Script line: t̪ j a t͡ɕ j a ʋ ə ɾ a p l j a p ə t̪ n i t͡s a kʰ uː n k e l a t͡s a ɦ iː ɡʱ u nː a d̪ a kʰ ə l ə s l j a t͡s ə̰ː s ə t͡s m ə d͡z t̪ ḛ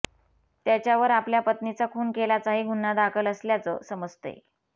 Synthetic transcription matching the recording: t̪ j a t͡ɕ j a ʋ ə ɾ a p l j a p ə t̪ n i t͡s a kʰ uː n k e l a t͡s a ɦ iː ɡʱ u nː a d̪ a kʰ ə l ə s l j a t͡s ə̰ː s ə m ə d͡z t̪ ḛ

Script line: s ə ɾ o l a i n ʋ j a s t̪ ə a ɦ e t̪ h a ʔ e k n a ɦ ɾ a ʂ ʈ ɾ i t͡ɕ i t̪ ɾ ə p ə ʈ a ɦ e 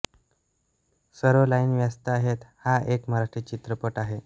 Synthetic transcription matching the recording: s ə ɾ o l a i n ʋ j a s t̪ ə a ɦ e t̪ h a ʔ e k m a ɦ ɾ a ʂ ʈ ɾ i t͡ɕ i t̪ ɾ ə p ə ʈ a ɦ e

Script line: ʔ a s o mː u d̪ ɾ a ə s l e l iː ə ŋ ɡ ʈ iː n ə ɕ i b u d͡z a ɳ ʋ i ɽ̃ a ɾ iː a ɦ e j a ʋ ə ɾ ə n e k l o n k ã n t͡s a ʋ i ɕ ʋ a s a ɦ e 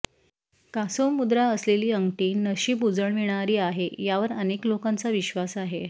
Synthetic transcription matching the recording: k a s o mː u d̪ ɾ a ə s l e l iː ə ŋ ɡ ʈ iː n ə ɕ iː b u d͡z ə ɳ ʋ i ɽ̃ a ɾ iː a ɦ e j a ʋ ə ɾ ə n e k l o k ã n t͡s a ʋ i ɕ ʋ a s a ɦ e

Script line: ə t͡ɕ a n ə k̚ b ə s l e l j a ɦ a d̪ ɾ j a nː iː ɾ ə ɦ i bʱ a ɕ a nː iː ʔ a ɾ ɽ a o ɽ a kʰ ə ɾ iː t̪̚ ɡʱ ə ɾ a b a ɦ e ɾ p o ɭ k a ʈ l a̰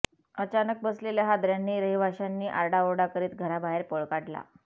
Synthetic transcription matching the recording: ə t͡ɕ a n ə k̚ b ə s l e l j a ɦ a d̪ ɾ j a nː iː ɾ ə ɦ i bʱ a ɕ a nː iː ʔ a ɾ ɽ a o ɽ a k ə ɾ iː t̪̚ ɡʱ ə ɾ a b a ɦ e ɾ p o ɭ k a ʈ l a̰

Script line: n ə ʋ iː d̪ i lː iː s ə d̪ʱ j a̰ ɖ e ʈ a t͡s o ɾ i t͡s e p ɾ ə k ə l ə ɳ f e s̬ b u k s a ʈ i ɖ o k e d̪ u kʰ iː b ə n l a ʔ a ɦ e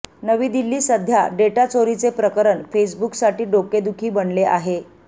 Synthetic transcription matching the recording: n ə ʋ iː d̪ i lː iː s ə d̪ʱ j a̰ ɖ e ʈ a t͡s o ɾ i t͡s e p ɾ ə k ə ɾ ə ɳ f e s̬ b u k s a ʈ iː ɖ o k e d̪ u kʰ iː b ə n l e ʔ a ɦ e

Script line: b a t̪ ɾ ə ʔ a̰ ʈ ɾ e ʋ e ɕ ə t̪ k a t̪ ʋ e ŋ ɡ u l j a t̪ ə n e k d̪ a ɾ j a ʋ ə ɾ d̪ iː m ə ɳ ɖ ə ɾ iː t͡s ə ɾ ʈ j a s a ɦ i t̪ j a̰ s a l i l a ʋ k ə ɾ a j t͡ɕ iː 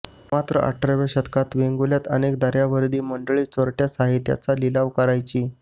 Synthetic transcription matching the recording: m a t̪ ɾ ə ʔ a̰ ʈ ɾ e ʋ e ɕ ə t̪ k a t̪ ʋ e ŋ ɡ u l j a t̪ ə n e k d̪ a ɾ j a ʋ ə ɾ d̪ iː m ə ɳ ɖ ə ɭ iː t͡s ə ɾ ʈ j a s a ɦ i t̪ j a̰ t͡s a l i l a ʋ k ə ɾ a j t͡ɕ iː

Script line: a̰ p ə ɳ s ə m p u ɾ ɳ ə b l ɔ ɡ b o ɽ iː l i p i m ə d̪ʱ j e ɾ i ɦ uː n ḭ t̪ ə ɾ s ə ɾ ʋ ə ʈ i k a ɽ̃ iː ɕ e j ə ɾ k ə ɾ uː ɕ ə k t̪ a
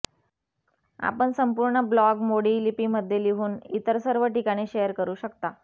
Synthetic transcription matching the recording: a̰ p ə ɳ s ə m p u ɾ ɳ ə b l ɔ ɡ m o ɽ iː l i p i m ə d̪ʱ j e l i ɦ uː n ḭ t̪ ə ɾ s ə ɾ ʋ ə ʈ i k a ɽ̃ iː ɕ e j ə ɾ k ə ɾ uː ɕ ə k t̪ a

